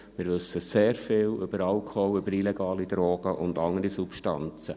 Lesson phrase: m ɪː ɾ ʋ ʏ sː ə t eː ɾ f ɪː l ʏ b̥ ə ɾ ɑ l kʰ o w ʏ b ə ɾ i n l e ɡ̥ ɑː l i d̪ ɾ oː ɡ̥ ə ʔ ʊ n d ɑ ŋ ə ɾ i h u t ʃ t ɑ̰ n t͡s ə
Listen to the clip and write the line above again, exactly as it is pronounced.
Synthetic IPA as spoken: m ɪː ɾ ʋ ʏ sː ə s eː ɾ f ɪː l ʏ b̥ ə ɾ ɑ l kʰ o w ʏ b ə ɾ i l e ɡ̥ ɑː l i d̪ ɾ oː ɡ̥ ə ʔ ʊ n d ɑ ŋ ə ɾ i s u p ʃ t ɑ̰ n t͡s ə